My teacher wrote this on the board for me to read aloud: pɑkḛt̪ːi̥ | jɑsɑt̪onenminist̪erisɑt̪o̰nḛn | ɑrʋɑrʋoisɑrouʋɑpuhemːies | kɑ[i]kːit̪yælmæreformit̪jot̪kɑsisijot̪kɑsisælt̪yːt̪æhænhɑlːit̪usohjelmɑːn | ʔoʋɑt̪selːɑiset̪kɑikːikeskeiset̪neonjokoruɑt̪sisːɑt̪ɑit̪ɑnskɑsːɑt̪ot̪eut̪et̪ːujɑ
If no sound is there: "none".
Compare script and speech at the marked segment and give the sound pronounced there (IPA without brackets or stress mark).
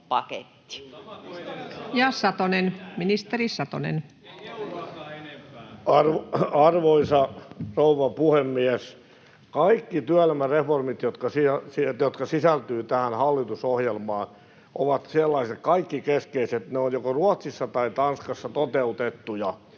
i